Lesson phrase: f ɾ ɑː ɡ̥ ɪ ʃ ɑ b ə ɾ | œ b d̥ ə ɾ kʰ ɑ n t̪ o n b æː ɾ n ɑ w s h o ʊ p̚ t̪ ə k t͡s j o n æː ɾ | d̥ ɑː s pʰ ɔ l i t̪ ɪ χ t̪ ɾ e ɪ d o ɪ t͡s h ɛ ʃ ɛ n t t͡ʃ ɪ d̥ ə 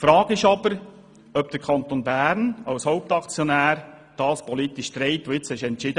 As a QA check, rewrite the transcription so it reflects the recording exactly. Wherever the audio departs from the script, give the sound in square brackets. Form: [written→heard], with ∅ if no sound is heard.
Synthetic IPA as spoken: f ɾ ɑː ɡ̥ ɪ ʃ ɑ b ə ɾ | œ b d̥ ə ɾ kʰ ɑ n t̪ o n b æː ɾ n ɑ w s h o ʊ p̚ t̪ [ə→ɑ] k t͡s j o n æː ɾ | d̥ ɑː s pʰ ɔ l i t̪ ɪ [χ→ʃ] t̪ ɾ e ɪ [d→t] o ɪ t͡s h ɛ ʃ ɛ n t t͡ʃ ɪ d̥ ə